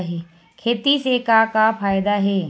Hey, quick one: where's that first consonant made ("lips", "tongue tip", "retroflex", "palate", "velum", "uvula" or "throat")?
throat